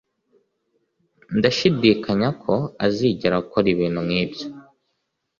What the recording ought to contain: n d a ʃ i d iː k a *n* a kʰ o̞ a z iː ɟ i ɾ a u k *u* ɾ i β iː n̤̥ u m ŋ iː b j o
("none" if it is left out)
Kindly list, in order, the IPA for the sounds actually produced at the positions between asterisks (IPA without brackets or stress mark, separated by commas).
ɲ, o